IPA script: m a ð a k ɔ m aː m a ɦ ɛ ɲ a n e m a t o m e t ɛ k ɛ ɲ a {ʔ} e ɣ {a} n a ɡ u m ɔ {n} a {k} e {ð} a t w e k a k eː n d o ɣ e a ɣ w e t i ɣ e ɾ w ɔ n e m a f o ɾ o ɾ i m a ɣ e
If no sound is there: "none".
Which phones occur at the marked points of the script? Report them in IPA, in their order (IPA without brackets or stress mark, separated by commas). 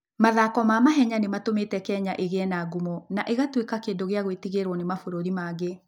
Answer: ʔ, ɛ, n, ʔ, ɣ